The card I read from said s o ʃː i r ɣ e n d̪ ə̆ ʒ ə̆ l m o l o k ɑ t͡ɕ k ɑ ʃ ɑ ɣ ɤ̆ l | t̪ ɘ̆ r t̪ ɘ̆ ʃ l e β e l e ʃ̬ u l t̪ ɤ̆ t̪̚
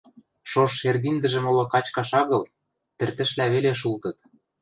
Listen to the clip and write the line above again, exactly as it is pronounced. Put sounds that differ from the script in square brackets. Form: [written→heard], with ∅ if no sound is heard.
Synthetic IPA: [s→ʃ] o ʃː [i→e] r ɣ [e→i] n d̪ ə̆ ʒ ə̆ [l→∅] m o l o k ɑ t͡ɕ k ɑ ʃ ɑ ɣ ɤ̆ l | t̪ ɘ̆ r t̪ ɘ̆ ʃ l [e→æ] β e l e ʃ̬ u l t̪ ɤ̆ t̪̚